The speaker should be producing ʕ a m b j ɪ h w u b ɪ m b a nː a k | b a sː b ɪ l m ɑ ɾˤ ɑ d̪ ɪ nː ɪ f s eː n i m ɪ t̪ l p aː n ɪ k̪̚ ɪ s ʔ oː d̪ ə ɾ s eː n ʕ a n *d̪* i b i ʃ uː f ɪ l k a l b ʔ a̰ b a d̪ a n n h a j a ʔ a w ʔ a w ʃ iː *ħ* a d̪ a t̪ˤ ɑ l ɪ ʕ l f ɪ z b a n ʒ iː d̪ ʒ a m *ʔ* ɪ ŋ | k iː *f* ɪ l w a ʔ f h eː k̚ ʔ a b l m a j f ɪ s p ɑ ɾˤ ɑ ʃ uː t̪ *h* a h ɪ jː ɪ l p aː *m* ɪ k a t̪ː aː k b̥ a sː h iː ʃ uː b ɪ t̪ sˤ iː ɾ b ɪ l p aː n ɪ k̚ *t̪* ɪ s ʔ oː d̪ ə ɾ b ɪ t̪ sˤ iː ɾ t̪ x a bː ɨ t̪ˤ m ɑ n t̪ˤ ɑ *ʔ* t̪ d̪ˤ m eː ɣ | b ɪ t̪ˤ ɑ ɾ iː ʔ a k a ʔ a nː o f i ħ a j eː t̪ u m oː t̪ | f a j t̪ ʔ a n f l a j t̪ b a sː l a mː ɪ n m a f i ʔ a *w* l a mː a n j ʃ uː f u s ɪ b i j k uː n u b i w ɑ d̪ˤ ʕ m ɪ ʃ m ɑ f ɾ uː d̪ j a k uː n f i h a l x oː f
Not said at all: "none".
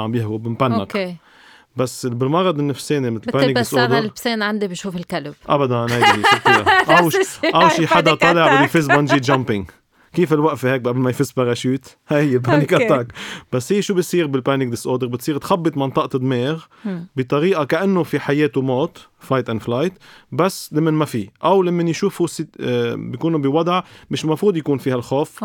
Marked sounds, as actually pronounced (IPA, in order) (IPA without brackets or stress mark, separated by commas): d̪, ħ, p, f, h, n, d̪, ʔ, w